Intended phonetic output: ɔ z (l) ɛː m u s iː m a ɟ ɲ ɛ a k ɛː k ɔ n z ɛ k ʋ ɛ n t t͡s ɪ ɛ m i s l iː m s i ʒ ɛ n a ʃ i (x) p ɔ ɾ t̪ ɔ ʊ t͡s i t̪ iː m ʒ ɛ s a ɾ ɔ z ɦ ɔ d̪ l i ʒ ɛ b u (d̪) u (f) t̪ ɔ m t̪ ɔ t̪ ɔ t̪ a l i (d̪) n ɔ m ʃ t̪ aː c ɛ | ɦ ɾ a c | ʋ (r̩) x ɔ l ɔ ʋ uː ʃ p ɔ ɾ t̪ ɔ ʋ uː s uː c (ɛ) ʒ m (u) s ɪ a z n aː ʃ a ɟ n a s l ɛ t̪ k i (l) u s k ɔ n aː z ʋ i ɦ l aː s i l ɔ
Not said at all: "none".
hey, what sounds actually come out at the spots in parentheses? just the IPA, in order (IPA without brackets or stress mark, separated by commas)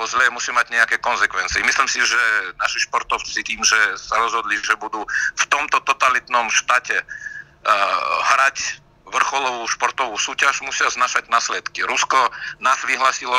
l, ʃ, d̪, f, t̪, r̩, a, u, ɾ